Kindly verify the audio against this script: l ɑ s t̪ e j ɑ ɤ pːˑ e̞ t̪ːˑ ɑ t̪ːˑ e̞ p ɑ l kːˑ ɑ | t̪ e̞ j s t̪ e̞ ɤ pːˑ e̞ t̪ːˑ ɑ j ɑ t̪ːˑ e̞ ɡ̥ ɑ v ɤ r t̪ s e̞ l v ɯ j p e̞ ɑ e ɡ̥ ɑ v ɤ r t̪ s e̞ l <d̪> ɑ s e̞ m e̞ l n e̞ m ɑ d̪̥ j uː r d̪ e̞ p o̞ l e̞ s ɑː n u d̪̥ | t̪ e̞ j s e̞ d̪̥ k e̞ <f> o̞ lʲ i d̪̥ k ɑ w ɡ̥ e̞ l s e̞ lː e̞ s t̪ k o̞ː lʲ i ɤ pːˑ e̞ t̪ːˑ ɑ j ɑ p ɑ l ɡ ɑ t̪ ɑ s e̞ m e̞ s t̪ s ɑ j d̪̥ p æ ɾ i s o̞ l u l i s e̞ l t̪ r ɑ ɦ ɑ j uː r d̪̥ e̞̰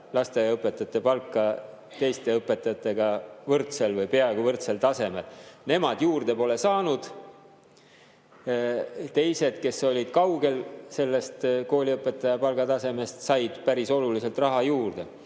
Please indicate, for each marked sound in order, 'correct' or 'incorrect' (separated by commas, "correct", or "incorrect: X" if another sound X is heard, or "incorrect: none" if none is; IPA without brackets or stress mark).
incorrect: t̪, incorrect: s